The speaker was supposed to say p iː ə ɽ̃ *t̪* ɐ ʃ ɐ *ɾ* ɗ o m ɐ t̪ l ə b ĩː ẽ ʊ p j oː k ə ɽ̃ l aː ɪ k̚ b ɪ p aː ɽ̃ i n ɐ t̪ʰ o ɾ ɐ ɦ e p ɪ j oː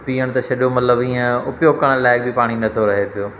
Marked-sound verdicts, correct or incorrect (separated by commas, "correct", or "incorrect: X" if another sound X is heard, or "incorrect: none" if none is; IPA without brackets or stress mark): correct, incorrect: none